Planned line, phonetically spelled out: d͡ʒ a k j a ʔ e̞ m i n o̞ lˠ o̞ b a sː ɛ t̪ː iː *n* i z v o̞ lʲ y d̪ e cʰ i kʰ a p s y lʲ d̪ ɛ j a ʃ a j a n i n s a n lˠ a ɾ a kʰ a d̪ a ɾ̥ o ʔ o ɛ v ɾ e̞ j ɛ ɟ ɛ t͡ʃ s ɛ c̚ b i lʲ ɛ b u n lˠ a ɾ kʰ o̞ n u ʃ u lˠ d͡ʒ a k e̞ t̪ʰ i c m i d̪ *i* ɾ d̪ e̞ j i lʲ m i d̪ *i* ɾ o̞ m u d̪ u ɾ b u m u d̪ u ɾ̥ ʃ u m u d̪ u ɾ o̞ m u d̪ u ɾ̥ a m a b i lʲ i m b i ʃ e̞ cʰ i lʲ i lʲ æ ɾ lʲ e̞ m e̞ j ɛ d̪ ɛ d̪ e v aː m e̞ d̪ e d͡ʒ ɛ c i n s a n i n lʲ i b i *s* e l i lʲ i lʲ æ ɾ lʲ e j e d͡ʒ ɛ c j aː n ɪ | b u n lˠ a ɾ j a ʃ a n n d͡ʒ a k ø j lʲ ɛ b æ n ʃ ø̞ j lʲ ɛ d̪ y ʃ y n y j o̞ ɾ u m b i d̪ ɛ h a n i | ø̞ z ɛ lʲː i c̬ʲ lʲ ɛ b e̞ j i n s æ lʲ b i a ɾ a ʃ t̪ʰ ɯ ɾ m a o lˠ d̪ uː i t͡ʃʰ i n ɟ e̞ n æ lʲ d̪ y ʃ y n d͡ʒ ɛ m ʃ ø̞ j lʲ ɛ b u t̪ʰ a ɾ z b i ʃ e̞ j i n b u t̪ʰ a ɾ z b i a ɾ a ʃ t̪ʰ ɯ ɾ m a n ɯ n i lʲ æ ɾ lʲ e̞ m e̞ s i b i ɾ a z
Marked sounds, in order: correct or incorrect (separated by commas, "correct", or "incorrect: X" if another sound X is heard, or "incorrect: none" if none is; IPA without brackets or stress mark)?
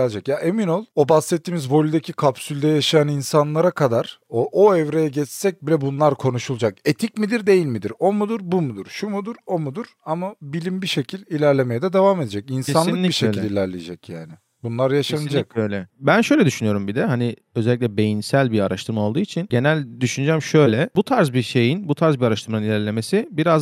incorrect: m, correct, correct, incorrect: ʃ